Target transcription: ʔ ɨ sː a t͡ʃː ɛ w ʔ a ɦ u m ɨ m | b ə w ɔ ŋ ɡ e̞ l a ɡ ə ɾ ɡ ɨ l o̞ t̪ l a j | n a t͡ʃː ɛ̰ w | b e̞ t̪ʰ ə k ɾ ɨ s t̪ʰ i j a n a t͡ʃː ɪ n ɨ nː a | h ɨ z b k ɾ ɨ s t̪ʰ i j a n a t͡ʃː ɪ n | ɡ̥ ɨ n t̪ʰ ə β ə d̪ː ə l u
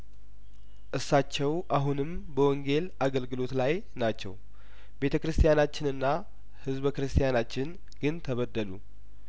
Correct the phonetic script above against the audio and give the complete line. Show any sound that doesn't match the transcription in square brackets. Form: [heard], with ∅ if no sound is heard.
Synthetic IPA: ʔ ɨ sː a t͡ʃː ɛ w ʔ a ɦ u [n] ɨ m | b ə w ɔ ŋ ɡ e̞ l a ɡ ə [l] ɡ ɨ l o̞ t̪ l a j | n a t͡ʃː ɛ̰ w | b e̞ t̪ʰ ə k ɾ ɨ s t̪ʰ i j a n a t͡ʃː ɪ n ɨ nː a | h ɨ z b k ɾ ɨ s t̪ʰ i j a n a t͡ʃː ɪ n | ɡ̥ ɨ n t̪ʰ ə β ə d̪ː ə l u